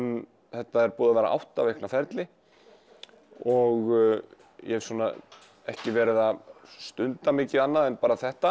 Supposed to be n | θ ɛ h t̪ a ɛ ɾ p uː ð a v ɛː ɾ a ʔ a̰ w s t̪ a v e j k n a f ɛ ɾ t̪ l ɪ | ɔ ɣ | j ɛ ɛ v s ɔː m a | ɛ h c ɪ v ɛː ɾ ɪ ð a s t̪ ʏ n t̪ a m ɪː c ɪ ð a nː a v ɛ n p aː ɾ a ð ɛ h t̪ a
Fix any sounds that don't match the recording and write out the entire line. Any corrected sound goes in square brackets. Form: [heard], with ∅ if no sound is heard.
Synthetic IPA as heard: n | θ ɛ h t̪ a ɛ ɾ p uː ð a v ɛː ɾ a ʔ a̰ w [h] t̪ a v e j k n a f ɛ ɾ t̪ l ɪ | ɔ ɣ | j ɛ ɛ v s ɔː [n] a | ɛ h c ɪ v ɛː ɾ ɪ ð a s t̪ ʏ n t̪ a m ɪː c ɪ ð a nː a [ð] ɛ n p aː ɾ a [θ] ɛ h t̪ a